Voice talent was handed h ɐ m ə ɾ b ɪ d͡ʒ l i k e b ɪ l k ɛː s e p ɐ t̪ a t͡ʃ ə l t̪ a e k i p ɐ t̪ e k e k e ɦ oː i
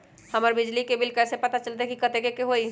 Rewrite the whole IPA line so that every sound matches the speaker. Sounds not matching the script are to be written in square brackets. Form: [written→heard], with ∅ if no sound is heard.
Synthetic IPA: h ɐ m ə ɾ b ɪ d͡ʒ l i k e b ɪ l k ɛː s e p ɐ t̪ a t͡ʃ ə l t̪ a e k i [p→k] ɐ t̪ e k e k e ɦ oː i